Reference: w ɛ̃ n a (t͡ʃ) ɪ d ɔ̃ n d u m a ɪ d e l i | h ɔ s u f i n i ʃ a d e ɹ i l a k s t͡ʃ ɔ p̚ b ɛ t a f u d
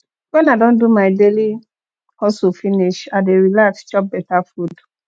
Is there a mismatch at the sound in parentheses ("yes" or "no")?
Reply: yes